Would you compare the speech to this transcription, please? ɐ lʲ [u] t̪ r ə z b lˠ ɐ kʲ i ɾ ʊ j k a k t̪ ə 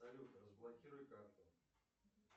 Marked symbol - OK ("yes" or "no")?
yes